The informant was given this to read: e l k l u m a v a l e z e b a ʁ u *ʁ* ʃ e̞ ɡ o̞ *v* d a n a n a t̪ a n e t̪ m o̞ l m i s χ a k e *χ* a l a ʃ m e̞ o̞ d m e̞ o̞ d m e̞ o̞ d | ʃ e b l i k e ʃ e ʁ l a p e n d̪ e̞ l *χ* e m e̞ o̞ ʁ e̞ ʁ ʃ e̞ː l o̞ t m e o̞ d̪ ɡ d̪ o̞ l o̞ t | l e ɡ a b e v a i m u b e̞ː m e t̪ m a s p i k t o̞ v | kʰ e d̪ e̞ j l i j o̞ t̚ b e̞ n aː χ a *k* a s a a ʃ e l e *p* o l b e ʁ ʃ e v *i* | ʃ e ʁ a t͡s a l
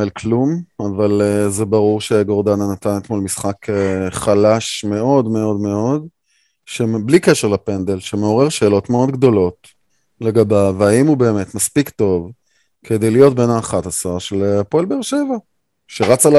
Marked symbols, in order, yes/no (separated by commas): yes, no, yes, no, no, yes, no